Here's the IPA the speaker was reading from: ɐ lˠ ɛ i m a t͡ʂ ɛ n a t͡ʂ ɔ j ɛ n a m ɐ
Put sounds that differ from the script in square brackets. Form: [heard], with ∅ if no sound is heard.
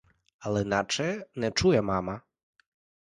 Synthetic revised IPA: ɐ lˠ ɛ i [n] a t͡ʂ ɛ n [ɛ] t͡ʂ [u] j ɛ [m] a m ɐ